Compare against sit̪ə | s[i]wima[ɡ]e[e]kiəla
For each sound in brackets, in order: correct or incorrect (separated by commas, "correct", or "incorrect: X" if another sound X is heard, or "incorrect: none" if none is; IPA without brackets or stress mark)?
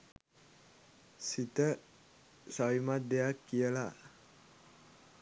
incorrect: a, incorrect: d, incorrect: a